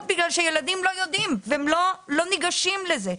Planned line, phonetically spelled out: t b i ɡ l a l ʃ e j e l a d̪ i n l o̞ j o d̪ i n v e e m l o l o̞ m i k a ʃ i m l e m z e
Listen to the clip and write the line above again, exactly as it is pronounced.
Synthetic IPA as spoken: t b i ɡ l a l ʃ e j e l a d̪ i m l o̞ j o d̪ i m v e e m l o l o̞ n i ɡ a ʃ i m l e z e

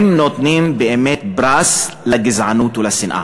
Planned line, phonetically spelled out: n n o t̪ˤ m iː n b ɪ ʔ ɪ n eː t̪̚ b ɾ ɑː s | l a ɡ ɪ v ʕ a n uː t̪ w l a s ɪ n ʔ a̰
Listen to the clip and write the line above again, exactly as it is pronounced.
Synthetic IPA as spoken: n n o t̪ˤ n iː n b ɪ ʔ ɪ m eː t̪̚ b ɾ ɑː s | l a ɡ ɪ z ʕ a n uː t̪ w l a s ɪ n ʔ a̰

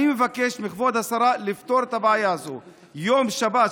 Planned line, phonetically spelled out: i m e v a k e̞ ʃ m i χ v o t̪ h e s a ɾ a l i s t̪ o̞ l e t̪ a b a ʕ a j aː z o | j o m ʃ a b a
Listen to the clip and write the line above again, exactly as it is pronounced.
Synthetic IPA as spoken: i m e v a k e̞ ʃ m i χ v o d̪ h a s a ɾ a l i f t̪ o̞ ɾ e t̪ a b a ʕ a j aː z o | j o m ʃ a b a

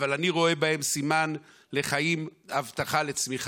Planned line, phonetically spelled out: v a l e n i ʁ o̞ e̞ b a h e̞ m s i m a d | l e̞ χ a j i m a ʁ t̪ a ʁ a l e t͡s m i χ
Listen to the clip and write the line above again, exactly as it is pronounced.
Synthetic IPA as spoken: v a l a n i ʁ o̞ e̞ b a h e̞ m s i m a n | l e̞ χ a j i m a v t̪ a χ a l e t͡s m i χ

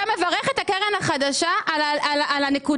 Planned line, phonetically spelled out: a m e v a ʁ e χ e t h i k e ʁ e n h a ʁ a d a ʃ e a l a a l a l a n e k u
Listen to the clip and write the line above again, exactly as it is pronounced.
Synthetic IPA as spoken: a m e v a ʁ e χ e t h a k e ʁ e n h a χ a d a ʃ a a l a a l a l a n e k u

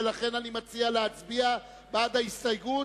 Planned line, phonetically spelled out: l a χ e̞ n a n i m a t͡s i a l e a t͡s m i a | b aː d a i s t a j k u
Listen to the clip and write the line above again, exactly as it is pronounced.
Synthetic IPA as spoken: l a χ e̞ n a n i m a t͡s i a l e a t͡s b i a | b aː d a i s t a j ɡ u

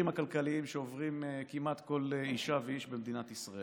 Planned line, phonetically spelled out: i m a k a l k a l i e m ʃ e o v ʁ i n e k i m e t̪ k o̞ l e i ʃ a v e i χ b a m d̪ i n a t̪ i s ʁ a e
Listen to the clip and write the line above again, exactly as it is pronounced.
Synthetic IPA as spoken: i m a k a l k a l i i m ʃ e o v ʁ i m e k i m a t̪ k o̞ l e i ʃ a v e i ʃ b e m d̪ i n a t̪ i s ʁ a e

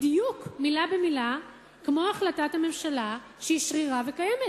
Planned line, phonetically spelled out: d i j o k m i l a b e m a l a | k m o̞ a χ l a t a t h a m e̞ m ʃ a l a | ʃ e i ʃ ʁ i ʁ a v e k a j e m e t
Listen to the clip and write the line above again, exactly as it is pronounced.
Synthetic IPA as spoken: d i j u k m i l a b e m i l a | k m o̞ a χ l a t a t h a m e̞ m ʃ a l a | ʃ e i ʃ ʁ i ʁ a v e k a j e m e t

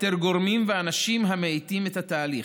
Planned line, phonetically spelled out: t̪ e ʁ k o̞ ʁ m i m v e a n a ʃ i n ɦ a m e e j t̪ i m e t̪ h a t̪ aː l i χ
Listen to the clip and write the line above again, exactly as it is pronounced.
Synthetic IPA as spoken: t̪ e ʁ ɡ o̞ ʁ m i m v e a n a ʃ i m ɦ a m e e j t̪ i m e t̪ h a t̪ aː l i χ

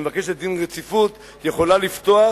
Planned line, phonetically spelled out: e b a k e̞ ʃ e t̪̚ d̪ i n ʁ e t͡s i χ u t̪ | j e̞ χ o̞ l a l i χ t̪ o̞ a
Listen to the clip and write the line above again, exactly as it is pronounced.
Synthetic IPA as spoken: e v a k e̞ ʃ e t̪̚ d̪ i n ʁ e t͡s i f u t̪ | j e̞ χ o̞ l a l i f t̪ o̞ a

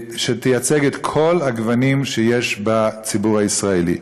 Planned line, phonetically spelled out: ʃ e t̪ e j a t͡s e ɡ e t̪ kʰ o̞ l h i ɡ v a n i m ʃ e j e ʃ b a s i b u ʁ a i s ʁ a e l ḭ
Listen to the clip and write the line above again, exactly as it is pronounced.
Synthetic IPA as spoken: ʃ e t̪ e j a t͡s e ɡ e t̪ kʰ o̞ l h a ɡ v a n i m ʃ e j e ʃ b a t͡s i b u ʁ a i s ʁ a e l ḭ

